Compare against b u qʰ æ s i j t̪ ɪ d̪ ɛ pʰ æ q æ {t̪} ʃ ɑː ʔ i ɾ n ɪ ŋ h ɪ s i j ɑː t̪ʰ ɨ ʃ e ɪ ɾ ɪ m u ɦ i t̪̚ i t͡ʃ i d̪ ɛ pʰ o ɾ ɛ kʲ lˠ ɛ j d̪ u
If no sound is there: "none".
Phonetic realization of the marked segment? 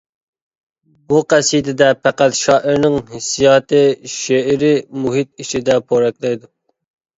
t̪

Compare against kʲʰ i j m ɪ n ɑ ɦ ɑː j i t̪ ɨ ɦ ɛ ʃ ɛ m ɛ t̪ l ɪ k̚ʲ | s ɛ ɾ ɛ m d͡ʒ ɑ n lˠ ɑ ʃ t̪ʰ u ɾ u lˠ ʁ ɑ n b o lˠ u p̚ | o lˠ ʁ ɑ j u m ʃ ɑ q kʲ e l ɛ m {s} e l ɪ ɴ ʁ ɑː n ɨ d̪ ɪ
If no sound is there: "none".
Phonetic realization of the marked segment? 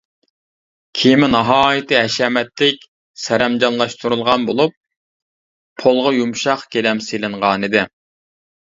s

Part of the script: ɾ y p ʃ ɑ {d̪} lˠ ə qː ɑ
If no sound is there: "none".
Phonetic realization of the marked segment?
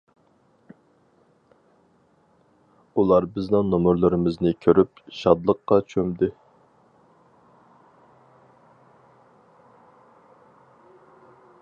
d̪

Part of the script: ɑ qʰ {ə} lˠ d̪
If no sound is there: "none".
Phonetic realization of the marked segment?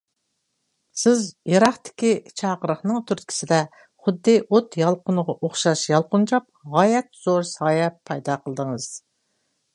ə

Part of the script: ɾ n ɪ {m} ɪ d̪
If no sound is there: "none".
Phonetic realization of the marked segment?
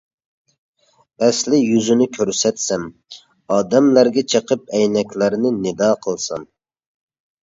n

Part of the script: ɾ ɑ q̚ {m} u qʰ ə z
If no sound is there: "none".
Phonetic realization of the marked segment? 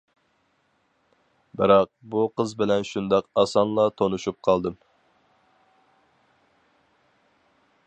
b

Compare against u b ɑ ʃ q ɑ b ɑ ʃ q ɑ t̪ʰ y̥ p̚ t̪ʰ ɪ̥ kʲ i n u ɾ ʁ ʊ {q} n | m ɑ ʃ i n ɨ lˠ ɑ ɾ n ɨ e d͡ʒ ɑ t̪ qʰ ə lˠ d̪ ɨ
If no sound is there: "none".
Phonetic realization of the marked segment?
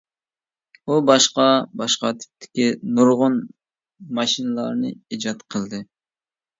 none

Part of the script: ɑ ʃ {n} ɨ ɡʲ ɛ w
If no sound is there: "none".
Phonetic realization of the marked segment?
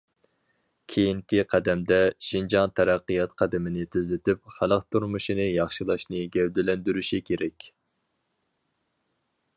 n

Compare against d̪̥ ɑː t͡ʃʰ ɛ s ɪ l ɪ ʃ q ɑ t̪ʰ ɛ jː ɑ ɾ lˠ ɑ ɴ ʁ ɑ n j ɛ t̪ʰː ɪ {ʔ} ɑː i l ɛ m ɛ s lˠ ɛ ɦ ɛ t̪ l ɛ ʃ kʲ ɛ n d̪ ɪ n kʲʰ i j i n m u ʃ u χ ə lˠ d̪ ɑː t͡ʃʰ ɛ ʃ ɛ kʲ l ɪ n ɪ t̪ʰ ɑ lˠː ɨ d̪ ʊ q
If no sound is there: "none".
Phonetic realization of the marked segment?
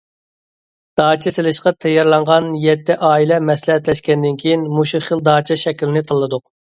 ʔ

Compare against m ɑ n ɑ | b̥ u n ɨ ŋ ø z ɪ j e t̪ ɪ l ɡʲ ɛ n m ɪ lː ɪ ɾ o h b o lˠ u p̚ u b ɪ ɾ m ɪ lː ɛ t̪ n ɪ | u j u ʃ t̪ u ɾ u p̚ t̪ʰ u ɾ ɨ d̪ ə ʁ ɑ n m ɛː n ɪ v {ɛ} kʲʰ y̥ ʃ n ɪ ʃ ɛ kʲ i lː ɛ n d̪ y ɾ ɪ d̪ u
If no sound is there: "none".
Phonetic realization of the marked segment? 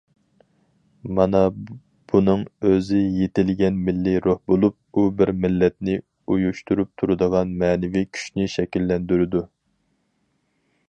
i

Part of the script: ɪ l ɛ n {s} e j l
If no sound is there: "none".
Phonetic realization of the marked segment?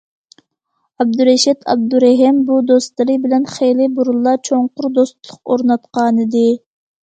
χ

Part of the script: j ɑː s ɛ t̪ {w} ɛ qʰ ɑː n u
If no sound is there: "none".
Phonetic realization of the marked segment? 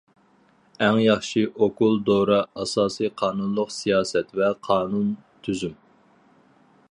v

